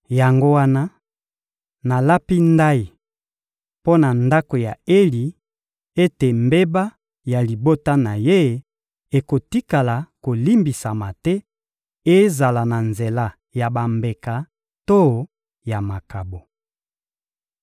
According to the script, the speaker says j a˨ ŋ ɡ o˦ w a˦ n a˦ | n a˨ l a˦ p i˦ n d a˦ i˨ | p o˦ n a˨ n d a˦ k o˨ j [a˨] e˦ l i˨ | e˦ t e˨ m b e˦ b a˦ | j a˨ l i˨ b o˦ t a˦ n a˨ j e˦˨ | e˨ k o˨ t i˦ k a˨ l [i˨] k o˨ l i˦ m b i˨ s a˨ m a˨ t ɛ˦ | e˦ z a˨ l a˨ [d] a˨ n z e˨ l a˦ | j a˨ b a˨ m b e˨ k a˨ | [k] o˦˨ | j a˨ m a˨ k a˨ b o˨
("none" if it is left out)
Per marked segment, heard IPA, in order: a˨, a˨, n, t

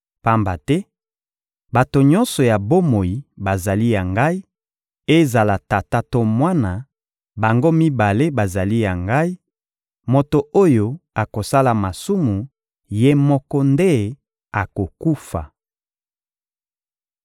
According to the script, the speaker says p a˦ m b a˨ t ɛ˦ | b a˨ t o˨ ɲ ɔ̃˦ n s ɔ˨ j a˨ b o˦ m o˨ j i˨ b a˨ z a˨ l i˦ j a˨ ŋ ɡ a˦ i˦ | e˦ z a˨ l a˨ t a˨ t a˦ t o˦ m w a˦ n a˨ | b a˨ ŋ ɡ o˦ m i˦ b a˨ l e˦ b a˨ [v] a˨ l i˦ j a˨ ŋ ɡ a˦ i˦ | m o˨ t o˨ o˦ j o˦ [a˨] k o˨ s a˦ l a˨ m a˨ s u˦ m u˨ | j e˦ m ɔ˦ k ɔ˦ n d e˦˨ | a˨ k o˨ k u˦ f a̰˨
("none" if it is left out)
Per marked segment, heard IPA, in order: z, a˨

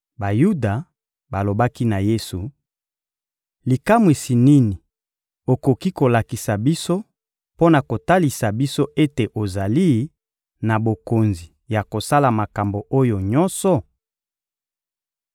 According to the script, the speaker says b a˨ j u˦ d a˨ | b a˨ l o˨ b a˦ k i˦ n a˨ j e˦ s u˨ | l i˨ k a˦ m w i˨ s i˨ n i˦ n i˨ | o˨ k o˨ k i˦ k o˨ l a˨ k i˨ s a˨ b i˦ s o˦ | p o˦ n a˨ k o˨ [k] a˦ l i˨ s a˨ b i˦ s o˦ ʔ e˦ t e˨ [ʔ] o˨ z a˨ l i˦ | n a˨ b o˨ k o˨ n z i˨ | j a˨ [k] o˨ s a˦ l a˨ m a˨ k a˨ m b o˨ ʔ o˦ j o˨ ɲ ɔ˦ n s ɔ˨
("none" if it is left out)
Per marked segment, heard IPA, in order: t, ʔ, k

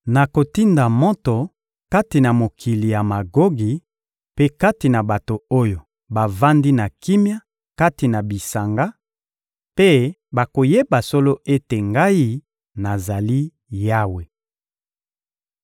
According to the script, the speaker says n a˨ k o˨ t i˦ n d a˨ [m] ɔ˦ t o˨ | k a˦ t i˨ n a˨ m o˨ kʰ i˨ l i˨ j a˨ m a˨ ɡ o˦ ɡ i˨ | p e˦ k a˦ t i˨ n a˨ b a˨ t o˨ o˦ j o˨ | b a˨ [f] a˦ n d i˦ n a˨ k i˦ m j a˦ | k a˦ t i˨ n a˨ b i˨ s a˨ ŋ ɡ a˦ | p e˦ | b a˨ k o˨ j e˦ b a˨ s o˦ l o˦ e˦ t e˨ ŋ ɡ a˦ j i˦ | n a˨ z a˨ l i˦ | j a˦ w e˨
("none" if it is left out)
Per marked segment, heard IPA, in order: m, v

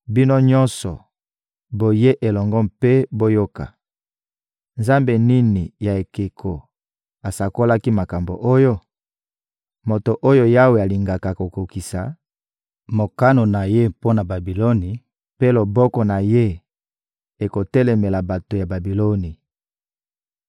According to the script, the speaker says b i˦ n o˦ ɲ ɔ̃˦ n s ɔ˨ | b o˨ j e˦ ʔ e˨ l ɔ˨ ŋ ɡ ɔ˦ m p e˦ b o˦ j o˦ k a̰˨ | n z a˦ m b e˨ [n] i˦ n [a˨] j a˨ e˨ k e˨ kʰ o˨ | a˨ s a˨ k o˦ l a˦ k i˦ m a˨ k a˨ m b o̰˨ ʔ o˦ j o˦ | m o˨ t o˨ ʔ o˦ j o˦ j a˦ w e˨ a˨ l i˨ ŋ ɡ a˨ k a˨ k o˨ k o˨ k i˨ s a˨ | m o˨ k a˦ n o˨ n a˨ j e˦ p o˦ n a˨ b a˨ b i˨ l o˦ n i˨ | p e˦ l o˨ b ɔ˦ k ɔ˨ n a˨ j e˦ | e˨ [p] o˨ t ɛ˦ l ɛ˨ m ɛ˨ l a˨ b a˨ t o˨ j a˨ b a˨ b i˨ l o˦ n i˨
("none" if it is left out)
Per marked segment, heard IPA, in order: n, i˨, k

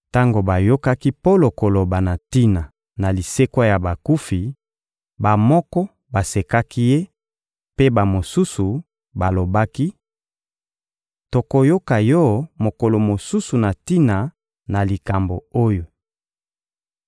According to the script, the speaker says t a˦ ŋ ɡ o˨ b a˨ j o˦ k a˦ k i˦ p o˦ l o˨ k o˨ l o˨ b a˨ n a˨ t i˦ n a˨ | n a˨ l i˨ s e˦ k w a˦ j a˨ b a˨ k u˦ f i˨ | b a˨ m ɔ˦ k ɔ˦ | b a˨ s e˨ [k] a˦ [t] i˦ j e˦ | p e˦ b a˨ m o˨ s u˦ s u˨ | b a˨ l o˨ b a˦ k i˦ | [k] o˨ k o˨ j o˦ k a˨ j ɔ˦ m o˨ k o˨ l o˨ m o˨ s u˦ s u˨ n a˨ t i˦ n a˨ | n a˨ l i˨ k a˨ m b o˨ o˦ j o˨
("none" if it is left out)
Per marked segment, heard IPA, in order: k, k, t

